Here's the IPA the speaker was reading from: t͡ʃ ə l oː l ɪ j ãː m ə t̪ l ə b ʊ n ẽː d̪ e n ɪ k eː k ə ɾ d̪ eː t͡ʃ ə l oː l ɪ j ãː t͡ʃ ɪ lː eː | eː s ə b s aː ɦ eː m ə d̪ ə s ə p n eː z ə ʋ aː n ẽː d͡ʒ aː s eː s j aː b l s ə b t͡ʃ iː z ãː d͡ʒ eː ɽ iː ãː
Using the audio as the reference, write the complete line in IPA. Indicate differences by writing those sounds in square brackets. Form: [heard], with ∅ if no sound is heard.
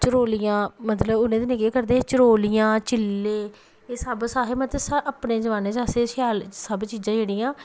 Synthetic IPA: t͡ʃ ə [ɾ] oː l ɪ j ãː m ə t̪ l ə b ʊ n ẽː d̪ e n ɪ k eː k ə ɾ d̪ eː t͡ʃ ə [ɾ] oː l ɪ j ãː t͡ʃ ɪ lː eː | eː s ə b s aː ɦ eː m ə [t̪] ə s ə p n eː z ə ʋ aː n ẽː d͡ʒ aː s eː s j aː [∅] l s ə b t͡ʃ iː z ãː d͡ʒ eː ɽ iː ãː